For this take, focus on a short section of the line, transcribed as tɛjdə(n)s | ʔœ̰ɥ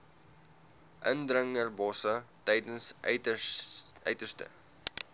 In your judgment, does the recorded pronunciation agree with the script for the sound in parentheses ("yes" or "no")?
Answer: yes